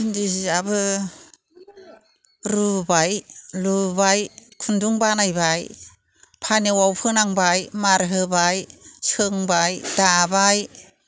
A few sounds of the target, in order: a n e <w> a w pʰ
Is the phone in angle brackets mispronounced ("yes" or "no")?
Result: no